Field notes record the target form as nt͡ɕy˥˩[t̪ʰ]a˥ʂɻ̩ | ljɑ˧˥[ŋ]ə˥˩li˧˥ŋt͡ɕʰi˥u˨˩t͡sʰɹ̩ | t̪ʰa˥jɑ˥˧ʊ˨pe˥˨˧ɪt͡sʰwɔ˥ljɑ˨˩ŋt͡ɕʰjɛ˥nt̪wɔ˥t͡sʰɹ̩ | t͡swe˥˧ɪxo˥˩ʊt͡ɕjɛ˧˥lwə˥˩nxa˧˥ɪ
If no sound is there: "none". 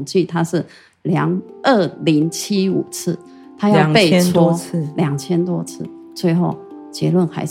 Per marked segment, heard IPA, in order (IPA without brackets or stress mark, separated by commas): t̪ʰ, ŋ